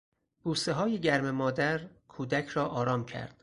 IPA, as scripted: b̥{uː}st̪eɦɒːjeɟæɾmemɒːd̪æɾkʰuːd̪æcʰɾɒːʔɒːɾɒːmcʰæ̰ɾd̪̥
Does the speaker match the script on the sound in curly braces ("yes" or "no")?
yes